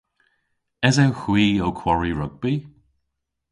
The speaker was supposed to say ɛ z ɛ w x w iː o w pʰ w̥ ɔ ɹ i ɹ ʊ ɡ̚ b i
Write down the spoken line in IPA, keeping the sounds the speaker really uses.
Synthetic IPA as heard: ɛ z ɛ w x w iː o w kʰ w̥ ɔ ɹ i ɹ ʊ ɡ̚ b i